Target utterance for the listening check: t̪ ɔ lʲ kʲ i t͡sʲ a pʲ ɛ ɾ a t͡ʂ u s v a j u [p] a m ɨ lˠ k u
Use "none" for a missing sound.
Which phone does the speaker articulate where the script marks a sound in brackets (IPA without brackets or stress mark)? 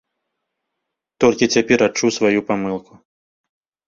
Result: p